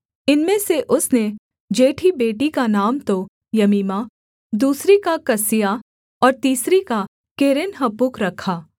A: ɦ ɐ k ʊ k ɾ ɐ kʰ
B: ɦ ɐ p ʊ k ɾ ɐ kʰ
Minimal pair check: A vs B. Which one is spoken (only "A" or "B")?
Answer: B